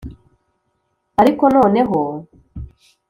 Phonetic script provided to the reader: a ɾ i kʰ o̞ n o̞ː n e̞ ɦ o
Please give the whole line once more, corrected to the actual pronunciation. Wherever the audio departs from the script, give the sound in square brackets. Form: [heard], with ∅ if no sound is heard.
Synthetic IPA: a ɾ i [k] o̞ n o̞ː n e̞ ɦ o